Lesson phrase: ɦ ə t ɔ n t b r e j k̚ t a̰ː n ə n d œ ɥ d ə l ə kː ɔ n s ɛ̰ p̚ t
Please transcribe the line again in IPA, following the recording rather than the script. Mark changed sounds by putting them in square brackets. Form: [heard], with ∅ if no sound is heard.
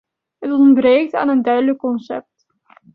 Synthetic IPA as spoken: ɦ ə t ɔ n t b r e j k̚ t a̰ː n ə n d œ ɥ d ə l ə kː ɔ n s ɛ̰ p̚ t